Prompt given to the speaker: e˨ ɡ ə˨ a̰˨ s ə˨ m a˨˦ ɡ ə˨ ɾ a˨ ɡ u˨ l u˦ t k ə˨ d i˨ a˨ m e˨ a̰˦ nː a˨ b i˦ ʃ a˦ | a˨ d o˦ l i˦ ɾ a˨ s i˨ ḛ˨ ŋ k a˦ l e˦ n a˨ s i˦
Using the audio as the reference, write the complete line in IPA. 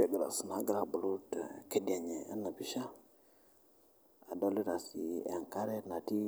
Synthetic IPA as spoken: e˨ ɡ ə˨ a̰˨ s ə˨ n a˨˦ ɡ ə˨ ɾ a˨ b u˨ l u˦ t k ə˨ d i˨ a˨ ɲ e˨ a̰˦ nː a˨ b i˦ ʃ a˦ | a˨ d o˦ l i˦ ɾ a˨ s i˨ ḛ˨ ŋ k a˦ ɾ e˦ n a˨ t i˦